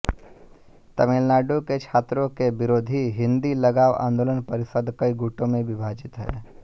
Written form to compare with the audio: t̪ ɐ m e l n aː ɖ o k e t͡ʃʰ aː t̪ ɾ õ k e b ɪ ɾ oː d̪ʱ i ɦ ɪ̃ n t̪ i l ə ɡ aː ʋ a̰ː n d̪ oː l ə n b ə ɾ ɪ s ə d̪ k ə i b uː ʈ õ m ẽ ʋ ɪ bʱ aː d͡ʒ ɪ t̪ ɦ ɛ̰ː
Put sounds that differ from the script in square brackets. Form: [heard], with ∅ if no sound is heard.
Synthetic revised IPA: t̪ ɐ m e l n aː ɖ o k e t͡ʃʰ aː t̪ ɾ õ k e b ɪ ɾ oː d̪ʱ i ɦ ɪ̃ n [d̪] i l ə ɡ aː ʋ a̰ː n d̪ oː l ə n [p] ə ɾ ɪ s ə d̪ k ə i [ɡ] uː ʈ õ m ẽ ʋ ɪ bʱ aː d͡ʒ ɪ t̪ ɦ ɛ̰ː